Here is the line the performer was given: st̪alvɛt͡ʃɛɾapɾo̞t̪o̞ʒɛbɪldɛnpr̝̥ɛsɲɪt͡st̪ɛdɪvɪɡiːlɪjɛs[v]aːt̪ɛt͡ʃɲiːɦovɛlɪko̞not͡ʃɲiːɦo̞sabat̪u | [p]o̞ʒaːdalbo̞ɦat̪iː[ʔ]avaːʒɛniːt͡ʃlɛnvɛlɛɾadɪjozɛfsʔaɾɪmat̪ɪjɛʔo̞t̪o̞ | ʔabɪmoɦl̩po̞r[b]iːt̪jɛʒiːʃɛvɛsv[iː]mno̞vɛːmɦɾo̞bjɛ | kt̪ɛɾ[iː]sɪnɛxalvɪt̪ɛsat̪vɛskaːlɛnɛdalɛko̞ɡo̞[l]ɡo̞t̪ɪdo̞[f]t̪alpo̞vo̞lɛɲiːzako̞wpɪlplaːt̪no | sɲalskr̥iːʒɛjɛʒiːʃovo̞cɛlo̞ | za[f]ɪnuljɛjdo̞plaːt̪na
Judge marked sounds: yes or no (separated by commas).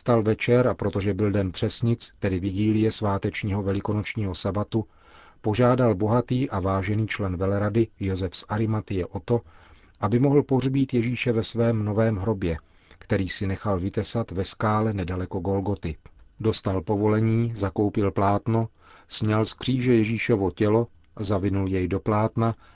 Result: yes, yes, yes, yes, no, yes, yes, no, no